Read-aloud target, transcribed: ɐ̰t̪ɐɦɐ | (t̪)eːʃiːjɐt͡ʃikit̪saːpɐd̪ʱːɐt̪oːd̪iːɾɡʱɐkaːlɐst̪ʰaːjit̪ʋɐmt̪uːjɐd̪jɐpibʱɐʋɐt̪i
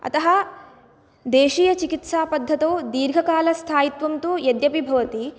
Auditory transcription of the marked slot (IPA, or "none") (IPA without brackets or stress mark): d̪